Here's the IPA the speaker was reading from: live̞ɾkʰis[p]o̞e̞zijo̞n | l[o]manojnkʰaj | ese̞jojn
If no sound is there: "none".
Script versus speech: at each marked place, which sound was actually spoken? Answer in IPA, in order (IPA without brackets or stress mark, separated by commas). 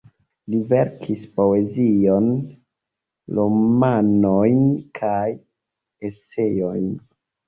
p, o